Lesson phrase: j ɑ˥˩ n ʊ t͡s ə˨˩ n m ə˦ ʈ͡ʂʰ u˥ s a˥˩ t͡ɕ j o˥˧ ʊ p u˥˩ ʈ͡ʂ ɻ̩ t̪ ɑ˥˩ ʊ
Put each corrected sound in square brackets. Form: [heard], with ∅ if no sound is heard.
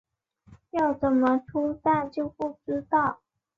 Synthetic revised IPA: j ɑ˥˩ [∅] ʊ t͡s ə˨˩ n m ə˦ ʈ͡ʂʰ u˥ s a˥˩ t͡ɕ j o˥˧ ʊ p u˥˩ ʈ͡ʂ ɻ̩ t̪ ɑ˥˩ ʊ